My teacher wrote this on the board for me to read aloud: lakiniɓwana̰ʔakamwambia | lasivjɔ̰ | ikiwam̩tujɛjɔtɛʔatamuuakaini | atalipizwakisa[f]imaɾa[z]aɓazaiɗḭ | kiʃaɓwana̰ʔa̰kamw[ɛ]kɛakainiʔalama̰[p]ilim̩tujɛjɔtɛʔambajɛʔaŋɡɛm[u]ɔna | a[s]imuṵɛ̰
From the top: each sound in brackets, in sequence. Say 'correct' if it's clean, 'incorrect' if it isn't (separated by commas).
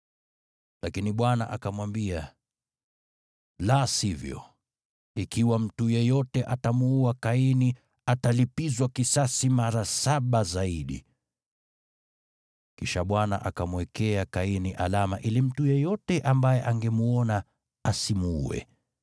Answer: incorrect, incorrect, correct, incorrect, correct, correct